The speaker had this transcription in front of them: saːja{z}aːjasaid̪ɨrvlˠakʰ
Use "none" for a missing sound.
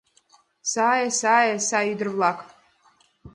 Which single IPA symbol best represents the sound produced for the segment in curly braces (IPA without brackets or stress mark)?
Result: s